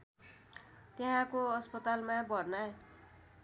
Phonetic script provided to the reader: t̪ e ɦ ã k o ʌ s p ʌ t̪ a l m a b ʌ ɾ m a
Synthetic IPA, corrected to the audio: t̪ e ɦ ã k o ʌ s p ʌ t̪ a l m a b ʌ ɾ n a